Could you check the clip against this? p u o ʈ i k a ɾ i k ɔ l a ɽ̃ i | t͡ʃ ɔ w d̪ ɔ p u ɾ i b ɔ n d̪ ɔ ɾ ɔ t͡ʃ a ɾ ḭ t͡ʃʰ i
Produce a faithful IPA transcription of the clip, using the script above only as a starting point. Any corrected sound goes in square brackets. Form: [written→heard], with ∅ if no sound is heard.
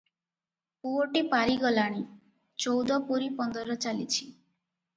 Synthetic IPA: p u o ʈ i [k→p] a ɾ i [k→ɡ] ɔ l a ɽ̃ i | t͡ʃ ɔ w d̪ ɔ p u ɾ i [b→p] ɔ n d̪ ɔ ɾ ɔ t͡ʃ a [ɾ→l] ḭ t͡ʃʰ i